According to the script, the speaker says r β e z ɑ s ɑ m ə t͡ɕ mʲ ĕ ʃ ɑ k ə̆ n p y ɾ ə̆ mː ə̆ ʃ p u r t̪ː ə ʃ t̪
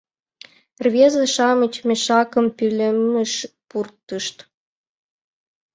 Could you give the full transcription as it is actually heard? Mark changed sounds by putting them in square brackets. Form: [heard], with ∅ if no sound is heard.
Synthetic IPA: r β e z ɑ [ʃ] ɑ m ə t͡ɕ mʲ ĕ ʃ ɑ k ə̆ [m] p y [l] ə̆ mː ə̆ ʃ p u r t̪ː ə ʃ t̪